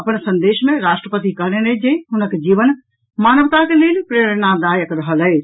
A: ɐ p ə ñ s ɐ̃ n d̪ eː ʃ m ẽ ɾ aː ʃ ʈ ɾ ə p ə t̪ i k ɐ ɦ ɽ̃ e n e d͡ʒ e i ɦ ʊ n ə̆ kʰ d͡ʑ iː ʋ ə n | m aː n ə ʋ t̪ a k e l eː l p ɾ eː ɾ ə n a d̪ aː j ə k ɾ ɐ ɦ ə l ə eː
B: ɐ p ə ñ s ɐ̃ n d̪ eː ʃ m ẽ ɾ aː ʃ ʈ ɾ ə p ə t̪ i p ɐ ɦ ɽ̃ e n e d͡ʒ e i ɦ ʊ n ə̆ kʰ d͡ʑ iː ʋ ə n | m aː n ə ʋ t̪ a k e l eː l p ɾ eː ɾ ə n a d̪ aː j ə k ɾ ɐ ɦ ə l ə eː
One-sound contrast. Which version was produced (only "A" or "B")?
A